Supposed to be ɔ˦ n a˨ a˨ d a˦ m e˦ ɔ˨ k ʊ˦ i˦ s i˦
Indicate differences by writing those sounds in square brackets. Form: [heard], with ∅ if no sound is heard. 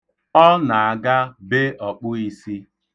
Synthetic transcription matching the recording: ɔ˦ n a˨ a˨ [ɡ] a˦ [b] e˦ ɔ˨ [k͡p] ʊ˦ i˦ s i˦